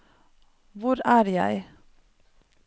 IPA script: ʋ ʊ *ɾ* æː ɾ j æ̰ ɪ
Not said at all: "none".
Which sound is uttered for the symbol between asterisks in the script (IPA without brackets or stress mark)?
ɾ